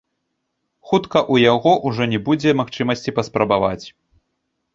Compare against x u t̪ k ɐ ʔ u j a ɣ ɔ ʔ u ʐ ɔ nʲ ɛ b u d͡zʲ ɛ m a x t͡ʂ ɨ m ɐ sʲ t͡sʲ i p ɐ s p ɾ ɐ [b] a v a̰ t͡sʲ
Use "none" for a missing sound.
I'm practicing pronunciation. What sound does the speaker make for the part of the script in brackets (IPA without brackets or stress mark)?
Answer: b